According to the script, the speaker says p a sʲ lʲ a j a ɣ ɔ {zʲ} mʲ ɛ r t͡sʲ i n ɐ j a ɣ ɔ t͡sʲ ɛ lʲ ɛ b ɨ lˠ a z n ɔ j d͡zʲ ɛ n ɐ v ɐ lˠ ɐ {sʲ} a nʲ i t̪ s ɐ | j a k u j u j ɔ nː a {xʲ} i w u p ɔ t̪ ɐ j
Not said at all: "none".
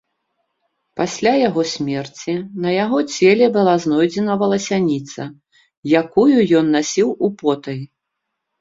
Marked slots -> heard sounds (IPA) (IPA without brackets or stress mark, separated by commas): sʲ, sʲ, sʲ